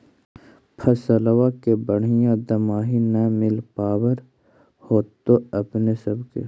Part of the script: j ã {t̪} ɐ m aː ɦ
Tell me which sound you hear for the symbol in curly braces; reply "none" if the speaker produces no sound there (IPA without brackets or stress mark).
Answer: d̪